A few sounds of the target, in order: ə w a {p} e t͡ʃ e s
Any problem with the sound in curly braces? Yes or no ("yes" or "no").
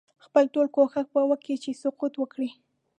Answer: yes